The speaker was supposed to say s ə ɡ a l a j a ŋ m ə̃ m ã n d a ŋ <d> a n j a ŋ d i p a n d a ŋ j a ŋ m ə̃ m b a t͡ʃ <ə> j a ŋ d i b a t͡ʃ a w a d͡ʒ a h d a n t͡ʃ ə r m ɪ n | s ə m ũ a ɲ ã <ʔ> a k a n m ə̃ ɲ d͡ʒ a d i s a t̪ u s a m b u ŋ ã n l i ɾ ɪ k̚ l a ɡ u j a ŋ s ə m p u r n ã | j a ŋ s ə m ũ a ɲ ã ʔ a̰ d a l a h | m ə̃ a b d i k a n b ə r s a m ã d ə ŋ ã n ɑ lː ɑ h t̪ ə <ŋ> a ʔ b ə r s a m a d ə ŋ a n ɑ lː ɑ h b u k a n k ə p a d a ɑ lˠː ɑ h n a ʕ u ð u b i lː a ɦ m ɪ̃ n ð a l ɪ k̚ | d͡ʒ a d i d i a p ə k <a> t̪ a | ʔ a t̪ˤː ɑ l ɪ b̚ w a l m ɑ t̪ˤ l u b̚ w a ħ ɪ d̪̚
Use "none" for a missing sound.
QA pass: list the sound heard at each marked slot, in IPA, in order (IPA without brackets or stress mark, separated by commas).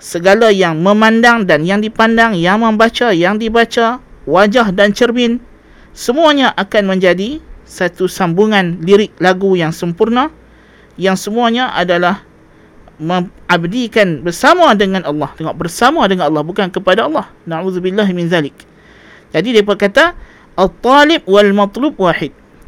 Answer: d, a, ʔ, ŋ, a